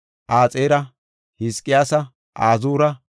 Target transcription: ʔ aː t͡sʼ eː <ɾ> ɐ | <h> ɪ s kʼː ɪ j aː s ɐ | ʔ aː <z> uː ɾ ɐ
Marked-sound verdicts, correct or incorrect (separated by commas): correct, correct, correct